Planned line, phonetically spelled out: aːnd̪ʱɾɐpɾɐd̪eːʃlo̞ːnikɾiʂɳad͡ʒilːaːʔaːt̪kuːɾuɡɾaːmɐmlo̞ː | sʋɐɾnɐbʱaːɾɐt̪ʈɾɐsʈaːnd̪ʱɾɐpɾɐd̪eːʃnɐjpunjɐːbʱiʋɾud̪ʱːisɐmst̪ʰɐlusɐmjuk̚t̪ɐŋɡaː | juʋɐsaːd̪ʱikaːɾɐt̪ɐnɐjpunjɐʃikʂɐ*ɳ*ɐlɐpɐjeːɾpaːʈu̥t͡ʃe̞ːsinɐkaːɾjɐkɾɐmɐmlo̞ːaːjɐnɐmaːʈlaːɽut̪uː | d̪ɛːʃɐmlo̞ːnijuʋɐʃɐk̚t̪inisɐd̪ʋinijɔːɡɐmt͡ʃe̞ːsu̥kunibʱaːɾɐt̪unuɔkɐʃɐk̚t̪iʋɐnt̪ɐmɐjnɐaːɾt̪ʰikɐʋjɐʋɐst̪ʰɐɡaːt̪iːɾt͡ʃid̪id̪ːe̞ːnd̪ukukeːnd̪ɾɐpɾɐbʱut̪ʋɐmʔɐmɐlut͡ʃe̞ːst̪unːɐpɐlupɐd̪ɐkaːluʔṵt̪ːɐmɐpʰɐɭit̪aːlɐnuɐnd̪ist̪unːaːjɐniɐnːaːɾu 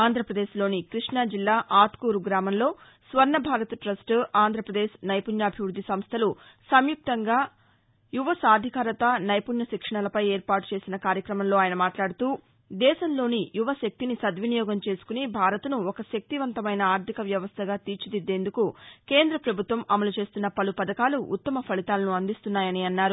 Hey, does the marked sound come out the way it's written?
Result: yes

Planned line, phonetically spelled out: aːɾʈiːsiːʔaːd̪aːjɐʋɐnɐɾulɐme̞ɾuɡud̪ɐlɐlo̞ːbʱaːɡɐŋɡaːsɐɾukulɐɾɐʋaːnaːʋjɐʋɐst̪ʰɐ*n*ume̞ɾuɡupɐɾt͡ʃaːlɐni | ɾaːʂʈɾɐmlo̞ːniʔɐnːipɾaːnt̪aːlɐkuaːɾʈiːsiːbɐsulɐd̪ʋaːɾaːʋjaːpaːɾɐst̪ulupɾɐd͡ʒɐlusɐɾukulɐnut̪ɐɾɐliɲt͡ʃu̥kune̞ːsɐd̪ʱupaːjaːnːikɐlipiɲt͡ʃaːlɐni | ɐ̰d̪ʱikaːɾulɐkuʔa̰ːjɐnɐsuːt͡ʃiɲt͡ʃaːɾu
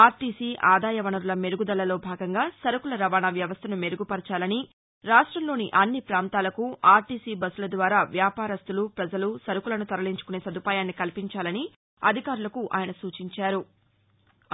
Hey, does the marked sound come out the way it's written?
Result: yes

